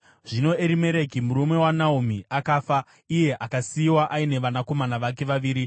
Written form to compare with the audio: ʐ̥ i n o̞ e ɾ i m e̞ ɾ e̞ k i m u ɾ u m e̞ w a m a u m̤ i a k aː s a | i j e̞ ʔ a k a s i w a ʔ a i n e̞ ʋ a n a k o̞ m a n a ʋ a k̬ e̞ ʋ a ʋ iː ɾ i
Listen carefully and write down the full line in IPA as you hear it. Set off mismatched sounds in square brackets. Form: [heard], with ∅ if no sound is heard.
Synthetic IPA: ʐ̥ i n o̞ e ɾ i m e̞ ɾ e̞ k i m u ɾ u m e̞ w a [n] a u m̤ i a k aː [f] a | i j e̞ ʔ a k a s i w a ʔ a i n e̞ ʋ a n a k o̞ m a n a ʋ a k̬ e̞ ʋ a ʋ iː ɾ i